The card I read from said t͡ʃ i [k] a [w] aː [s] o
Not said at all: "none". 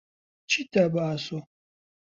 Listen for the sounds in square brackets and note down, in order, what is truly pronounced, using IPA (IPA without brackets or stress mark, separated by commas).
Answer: t, b, s